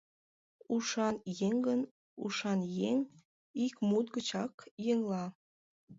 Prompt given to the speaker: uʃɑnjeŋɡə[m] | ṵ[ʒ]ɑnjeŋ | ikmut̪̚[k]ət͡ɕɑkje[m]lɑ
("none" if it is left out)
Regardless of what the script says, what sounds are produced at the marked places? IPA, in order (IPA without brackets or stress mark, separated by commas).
n, ʃ, ɡ, ŋ